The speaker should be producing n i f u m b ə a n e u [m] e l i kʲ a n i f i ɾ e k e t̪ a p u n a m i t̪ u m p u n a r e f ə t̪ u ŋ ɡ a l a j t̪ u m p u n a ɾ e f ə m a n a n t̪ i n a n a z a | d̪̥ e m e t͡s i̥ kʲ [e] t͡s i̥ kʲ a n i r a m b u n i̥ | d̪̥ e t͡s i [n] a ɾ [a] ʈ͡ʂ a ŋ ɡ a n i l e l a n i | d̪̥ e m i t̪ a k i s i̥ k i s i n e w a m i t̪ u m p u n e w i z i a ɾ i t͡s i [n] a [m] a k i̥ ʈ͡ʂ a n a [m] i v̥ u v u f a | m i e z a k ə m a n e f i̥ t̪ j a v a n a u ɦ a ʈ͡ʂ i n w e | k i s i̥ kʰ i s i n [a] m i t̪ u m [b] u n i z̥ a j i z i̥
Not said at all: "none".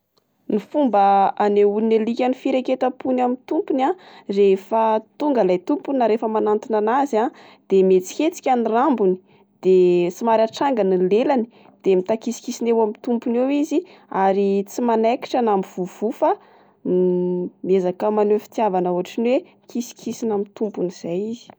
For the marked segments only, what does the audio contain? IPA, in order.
n, e, m, a, m, n, m, a, p

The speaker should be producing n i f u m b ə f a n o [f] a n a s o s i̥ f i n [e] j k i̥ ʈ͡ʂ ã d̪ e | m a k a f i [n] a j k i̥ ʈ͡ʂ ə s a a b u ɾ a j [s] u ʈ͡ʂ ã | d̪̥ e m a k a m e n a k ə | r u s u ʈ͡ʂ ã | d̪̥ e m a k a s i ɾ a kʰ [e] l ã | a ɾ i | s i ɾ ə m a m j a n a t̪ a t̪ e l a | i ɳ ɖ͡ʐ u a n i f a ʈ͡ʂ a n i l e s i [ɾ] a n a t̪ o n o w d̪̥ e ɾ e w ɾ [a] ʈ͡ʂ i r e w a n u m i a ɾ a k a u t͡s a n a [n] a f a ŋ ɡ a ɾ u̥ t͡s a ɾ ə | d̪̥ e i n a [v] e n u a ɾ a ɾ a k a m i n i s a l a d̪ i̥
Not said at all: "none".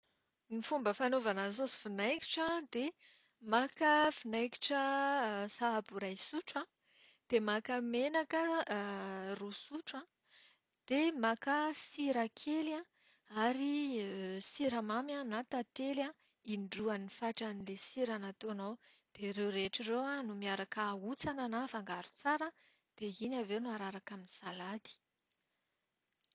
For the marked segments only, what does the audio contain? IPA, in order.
v, a, n, s, e, ɾ, e, n, v

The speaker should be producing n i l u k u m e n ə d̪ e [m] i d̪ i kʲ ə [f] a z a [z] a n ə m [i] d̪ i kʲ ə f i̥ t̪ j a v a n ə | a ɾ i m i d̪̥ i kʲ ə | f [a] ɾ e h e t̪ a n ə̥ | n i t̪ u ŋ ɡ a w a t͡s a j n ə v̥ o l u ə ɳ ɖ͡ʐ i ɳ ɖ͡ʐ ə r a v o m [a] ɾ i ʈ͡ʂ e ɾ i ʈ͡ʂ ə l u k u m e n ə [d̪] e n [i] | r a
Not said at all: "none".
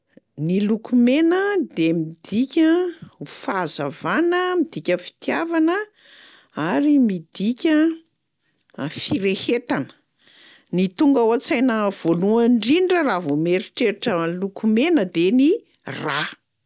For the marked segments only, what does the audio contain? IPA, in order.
m, f, v, i, i, e, d̪, i

